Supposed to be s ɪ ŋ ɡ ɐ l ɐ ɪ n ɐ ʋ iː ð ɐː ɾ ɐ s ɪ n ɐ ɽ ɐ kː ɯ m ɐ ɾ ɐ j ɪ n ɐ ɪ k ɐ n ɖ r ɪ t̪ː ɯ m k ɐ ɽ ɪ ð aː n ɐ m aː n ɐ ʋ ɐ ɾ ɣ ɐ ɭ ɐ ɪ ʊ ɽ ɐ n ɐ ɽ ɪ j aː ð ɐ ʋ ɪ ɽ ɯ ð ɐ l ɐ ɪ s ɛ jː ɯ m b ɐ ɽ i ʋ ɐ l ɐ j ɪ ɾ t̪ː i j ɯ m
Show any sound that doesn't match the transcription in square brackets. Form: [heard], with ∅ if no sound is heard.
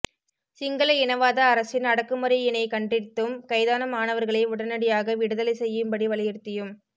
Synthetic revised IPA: s ɪ ŋ ɡ ɐ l ɐ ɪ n ɐ ʋ [aː] ð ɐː ɾ ɐ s ɪ n ɐ ɽ ɐ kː ɯ m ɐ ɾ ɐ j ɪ n ɐ ɪ k ɐ [ɳ] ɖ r ɪ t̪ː ɯ m k ɐ [∅] ɪ ð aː n ɐ m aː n ɐ ʋ ɐ ɾ ɣ ɐ ɭ ɐ ɪ ʊ ɽ ɐ n ɐ ɽ ɪ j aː [ɣ] ɐ ʋ ɪ ɽ ɯ ð ɐ l ɐ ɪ s ɛ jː ɯ m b ɐ ɽ i ʋ ɐ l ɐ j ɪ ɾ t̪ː [ɪ] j ɯ m